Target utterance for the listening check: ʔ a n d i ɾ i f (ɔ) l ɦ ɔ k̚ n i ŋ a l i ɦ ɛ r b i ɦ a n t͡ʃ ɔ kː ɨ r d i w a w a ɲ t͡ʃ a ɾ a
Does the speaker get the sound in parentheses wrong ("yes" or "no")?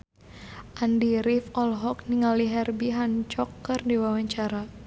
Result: no